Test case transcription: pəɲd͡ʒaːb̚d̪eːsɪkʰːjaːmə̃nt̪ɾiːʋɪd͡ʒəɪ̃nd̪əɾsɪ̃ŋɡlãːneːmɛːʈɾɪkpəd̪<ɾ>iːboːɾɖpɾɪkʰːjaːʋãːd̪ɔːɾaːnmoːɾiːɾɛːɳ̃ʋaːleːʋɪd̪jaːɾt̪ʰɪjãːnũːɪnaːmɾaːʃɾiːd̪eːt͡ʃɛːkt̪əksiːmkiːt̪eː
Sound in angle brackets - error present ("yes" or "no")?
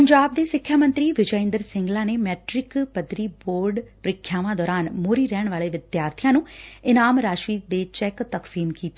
no